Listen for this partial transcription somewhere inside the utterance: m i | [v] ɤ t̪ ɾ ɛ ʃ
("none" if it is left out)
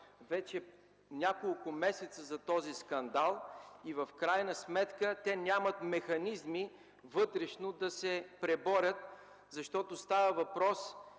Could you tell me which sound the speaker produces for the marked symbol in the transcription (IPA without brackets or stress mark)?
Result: v